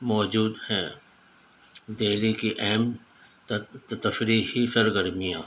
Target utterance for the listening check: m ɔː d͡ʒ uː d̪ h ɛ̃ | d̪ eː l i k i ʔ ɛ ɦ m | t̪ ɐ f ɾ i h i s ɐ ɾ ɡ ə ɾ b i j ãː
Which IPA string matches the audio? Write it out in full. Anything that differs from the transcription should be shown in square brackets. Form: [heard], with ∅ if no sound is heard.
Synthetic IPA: m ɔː d͡ʒ uː d̪ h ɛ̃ | d̪ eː l i k i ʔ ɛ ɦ m | t̪ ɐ f ɾ i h i s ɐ ɾ ɡ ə ɾ [m] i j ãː